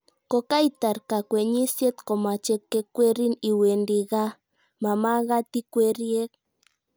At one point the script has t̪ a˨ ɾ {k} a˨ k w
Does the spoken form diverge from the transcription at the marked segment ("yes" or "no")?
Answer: no